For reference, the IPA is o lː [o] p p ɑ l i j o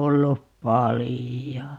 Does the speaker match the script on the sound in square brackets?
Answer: no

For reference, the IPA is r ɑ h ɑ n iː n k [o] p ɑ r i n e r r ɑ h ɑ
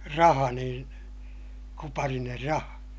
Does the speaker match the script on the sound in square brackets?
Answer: no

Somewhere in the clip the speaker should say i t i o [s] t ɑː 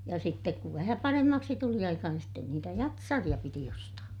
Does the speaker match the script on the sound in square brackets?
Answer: yes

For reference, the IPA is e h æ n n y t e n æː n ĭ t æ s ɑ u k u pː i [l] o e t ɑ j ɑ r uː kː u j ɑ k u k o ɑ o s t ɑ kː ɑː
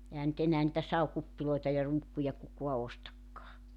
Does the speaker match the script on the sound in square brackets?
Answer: yes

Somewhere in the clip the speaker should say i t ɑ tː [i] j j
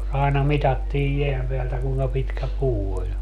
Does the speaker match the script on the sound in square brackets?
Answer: no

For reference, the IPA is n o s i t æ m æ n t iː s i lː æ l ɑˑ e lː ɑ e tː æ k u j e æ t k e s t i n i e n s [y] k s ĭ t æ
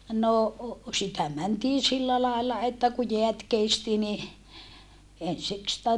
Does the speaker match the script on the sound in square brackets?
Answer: no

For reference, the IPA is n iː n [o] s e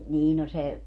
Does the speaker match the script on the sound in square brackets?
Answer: yes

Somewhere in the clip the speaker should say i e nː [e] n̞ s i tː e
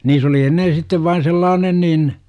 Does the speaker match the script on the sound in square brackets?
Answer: yes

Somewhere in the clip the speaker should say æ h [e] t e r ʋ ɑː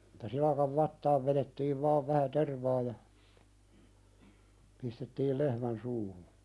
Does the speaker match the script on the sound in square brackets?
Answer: no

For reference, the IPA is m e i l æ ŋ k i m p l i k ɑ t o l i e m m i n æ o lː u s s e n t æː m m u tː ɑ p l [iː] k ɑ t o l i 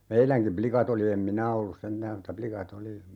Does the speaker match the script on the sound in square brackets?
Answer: no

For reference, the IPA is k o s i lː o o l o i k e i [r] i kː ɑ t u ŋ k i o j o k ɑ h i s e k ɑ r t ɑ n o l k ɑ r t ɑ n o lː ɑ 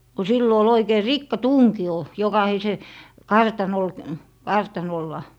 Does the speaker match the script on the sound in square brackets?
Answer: yes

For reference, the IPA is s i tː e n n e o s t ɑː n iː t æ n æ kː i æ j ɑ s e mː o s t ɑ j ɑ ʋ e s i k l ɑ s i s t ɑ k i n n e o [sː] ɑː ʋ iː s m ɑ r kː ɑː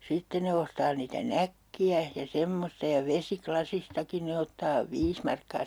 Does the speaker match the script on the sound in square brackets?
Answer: no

